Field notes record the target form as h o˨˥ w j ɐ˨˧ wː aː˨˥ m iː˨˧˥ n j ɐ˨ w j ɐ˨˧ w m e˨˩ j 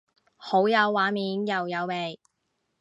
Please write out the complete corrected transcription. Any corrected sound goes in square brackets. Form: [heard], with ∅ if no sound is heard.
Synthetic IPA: h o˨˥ w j ɐ˨˧ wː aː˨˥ m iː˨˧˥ n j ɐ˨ w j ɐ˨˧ w m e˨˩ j